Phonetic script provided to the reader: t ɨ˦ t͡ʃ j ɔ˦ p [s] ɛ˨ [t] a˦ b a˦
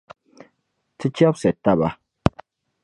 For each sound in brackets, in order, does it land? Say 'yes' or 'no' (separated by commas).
yes, yes